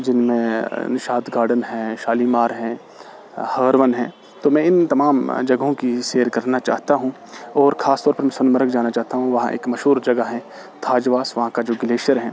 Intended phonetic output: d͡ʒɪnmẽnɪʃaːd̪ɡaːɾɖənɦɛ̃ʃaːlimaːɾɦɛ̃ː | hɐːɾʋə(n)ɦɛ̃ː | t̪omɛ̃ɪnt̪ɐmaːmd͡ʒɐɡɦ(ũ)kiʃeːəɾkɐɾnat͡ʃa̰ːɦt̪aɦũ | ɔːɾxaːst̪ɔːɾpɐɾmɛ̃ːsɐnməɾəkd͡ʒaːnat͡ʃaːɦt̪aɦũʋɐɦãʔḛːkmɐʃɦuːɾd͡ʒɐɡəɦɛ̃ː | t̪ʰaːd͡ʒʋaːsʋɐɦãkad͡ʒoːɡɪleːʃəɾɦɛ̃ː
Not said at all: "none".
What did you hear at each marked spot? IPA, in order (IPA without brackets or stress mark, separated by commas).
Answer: n, õ